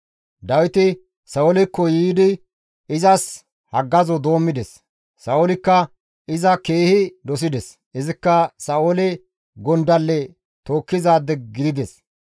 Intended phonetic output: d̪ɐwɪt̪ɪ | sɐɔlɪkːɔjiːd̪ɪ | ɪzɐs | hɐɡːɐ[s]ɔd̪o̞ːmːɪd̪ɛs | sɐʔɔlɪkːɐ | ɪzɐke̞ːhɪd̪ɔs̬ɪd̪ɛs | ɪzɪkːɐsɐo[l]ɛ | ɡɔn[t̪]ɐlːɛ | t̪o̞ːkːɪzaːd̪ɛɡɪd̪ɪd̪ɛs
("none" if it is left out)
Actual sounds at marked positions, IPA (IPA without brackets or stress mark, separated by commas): z, l, d̪